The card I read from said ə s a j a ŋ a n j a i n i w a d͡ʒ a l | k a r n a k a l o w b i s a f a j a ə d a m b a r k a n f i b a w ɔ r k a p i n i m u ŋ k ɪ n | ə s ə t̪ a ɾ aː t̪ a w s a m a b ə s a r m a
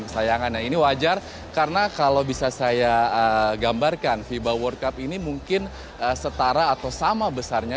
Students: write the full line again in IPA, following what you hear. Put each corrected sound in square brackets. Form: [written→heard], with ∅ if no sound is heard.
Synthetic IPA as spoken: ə s a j a ŋ a n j a i n i w a d͡ʒ a [l→r] | k a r n a k a l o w b i s a [f→s] a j a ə [d→ɡ] a m b a r k a n f i b a w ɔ r k a p i n i m u ŋ k ɪ n | ə s ə t̪ a ɾ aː t̪ a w s a m a b ə s a r [m→ɲ] a